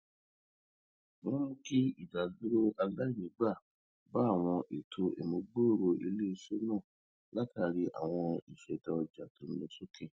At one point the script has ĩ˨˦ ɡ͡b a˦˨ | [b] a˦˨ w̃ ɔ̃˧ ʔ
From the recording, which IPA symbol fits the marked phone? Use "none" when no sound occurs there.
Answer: b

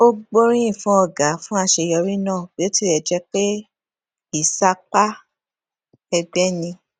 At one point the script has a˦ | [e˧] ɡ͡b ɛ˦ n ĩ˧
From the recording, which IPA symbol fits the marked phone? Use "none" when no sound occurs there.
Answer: ɛ˧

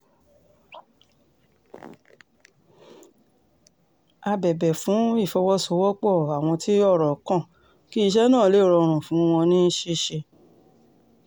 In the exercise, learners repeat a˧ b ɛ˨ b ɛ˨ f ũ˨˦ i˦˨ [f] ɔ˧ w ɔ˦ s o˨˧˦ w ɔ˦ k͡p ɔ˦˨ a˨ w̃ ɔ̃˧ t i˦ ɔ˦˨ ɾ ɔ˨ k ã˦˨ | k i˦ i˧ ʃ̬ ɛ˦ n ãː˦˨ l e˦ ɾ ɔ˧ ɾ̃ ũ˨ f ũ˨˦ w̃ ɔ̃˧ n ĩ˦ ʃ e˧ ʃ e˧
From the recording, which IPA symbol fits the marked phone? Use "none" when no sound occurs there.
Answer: f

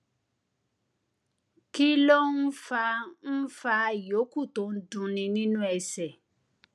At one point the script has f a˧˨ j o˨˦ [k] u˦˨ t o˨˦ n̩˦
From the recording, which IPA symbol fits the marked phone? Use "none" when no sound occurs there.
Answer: k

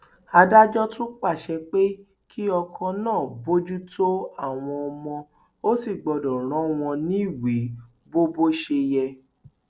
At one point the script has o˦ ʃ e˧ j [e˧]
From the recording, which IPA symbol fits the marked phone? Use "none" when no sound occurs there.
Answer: ɛ˧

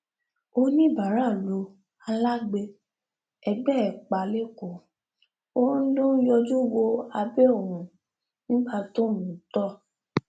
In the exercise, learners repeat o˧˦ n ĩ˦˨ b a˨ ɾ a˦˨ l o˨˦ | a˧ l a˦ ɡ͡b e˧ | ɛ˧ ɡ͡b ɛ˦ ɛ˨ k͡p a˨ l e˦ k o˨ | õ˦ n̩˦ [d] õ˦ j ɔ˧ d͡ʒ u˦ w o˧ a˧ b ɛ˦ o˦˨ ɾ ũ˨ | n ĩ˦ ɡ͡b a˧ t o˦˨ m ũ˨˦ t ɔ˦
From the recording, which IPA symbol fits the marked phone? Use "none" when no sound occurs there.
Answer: d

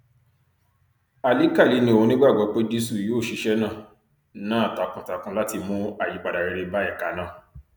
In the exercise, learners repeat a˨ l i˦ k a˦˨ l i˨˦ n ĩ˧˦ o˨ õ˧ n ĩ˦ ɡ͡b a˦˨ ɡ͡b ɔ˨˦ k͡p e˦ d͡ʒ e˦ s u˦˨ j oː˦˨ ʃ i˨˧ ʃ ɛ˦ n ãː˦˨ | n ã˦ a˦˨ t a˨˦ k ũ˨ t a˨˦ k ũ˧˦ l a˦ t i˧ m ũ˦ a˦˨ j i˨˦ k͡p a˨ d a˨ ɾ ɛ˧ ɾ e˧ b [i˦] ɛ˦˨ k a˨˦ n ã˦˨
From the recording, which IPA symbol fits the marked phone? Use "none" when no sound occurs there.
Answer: a˦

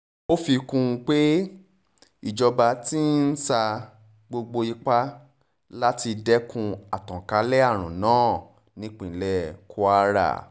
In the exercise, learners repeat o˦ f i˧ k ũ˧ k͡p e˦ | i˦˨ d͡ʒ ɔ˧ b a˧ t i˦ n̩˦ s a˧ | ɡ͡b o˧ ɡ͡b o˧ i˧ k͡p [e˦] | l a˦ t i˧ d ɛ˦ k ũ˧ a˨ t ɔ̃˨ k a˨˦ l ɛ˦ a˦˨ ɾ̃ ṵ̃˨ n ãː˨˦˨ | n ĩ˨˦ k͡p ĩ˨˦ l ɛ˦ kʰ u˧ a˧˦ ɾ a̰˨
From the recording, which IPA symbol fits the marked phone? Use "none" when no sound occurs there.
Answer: a˦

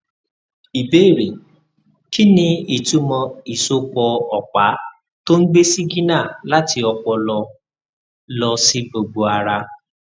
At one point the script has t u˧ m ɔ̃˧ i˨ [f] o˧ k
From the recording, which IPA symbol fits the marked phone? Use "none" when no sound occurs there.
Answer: s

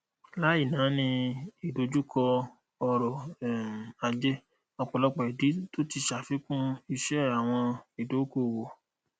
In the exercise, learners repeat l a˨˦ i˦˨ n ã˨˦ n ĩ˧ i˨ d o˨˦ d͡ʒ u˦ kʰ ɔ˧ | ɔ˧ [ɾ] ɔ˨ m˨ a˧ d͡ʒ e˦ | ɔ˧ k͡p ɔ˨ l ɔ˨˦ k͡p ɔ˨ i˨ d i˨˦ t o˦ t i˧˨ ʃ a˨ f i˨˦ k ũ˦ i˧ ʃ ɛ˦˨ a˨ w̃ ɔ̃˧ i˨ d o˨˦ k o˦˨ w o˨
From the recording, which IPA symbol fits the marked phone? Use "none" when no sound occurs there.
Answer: ɾ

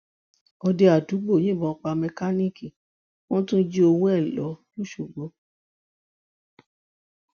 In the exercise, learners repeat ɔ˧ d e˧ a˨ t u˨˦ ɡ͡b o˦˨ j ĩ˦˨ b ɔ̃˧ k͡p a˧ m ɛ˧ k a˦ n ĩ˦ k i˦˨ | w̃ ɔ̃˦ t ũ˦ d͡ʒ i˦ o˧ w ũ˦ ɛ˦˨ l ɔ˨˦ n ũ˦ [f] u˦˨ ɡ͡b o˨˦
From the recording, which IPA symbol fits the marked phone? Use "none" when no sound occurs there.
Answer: ʃ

